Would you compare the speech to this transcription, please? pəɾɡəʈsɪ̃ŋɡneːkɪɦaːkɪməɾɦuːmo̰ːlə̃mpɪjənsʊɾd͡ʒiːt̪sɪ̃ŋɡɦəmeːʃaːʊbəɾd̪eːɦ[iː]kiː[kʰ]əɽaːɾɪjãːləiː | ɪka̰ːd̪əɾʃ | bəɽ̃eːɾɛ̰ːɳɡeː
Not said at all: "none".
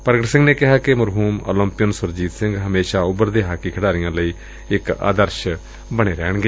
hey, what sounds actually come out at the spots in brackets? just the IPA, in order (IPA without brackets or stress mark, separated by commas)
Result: aː, kʰ